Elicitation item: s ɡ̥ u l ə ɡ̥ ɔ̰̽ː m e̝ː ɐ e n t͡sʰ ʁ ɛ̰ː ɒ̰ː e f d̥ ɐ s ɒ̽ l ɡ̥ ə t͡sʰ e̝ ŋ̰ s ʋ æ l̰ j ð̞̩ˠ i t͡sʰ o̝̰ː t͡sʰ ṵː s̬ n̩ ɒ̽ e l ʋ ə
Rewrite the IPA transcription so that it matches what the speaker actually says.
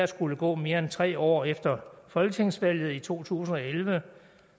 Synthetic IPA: s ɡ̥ u l ə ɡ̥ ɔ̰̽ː m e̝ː ɐ e n t͡sʰ ʁ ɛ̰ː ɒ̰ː e f d̥ ɐ f ɒ̽ l ɡ̥ ə t͡sʰ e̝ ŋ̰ s ʋ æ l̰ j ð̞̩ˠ i t͡sʰ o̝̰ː t͡sʰ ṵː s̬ n̩ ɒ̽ e l ʋ ə